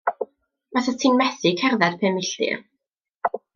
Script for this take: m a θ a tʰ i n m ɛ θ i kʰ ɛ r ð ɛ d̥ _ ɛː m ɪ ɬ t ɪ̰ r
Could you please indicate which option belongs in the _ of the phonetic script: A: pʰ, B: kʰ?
A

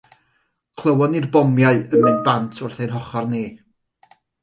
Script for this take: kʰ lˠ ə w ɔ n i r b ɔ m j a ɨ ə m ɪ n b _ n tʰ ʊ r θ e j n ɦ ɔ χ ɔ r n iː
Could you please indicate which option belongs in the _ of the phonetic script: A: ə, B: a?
B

